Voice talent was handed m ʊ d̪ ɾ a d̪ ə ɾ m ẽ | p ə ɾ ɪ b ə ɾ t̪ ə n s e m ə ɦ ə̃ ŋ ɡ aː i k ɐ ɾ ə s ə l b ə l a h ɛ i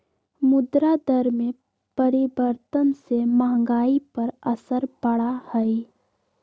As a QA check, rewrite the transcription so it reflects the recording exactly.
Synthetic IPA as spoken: m ʊ d̪ ɾ a d̪ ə ɾ m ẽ | p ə ɾ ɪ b ə ɾ t̪ ə n s e m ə ɦ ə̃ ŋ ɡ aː i p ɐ ɾ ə s ə ɾ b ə ɽ a h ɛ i